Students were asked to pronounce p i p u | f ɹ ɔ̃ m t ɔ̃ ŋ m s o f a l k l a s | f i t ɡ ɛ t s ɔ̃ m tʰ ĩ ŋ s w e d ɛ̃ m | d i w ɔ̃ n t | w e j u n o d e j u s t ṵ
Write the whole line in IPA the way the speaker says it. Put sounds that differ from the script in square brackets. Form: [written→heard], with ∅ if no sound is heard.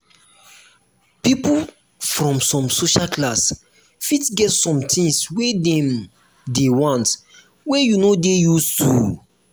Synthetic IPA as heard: p i p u | f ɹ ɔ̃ m [t→s] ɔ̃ [ŋ→∅] m s o [f→ʃ] a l k l a s | f i t ɡ ɛ t s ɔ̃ m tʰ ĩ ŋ s w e d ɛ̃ m | d [i→e] w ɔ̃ n t | w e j u n o d e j u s t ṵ